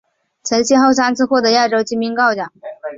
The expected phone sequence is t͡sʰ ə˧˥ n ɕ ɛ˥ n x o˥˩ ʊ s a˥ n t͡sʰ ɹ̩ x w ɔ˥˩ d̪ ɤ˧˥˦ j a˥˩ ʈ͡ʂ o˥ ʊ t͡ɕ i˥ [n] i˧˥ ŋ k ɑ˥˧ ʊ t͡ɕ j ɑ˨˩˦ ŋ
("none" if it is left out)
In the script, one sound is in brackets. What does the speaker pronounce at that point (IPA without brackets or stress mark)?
m